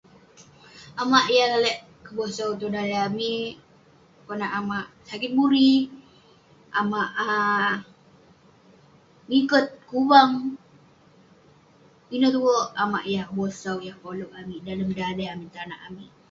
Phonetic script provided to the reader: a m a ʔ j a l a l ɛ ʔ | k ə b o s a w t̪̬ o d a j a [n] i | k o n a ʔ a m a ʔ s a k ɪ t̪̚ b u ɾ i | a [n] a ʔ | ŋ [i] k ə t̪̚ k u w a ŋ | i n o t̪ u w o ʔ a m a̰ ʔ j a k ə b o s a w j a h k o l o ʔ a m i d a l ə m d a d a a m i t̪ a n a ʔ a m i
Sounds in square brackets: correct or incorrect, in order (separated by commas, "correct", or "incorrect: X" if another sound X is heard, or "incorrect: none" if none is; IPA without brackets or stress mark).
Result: incorrect: m, incorrect: m, correct